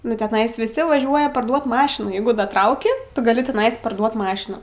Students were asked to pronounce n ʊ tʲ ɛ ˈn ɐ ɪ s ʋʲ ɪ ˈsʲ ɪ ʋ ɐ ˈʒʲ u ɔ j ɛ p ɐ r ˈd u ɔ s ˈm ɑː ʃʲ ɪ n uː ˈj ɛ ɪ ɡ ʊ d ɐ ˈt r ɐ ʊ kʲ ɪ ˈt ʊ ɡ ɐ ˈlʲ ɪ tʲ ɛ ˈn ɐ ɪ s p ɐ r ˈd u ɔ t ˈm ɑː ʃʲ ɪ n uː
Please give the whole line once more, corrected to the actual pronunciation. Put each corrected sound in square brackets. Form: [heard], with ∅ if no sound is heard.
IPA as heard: n ʊ tʲ ɛ ˈn ɐ ɪ s ʋʲ ɪ ˈsʲ ɪ ʋ ɐ ˈʒʲ u ɔ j ɛ p ɐ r ˈd u ɔ [t] ˈm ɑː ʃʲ ɪ n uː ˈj ɛ ɪ ɡ ʊ d ɐ ˈt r ɐ ʊ kʲ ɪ ˈt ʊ ɡ ɐ ˈlʲ ɪ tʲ ɛ ˈn ɐ ɪ s p ɐ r ˈd u ɔ t ˈm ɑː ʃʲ ɪ n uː